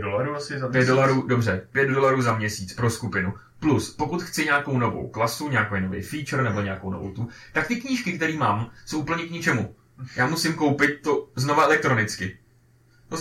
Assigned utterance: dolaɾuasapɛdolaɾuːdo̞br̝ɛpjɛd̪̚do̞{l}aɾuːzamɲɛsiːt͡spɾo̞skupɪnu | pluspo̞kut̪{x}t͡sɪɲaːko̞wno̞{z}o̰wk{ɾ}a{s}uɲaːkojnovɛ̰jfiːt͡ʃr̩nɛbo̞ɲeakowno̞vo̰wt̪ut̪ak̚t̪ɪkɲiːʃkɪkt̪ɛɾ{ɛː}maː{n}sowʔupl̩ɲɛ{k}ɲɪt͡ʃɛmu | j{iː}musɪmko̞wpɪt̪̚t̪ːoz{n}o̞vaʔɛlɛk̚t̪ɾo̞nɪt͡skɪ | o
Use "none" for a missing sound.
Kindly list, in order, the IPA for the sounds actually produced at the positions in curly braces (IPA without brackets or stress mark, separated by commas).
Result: l, x, v, l, s, iː, m, k, aː, n